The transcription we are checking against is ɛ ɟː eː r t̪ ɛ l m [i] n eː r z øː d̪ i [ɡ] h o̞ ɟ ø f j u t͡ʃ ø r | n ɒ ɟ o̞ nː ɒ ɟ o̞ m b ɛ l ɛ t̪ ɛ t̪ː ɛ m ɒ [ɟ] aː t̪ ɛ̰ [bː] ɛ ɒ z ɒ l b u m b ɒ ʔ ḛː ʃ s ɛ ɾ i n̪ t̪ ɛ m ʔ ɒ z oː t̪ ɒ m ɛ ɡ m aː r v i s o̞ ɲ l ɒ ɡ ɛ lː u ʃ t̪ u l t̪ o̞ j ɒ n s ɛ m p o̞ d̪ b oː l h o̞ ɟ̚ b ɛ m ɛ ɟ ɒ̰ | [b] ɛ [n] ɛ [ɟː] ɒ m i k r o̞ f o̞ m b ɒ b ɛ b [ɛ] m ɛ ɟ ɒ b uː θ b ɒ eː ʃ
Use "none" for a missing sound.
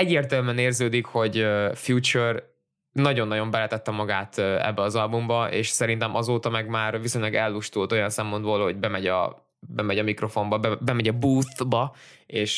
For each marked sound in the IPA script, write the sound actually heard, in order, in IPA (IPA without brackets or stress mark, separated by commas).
ɛ, k, ɡ, bː, b, m, ɟ, ɛ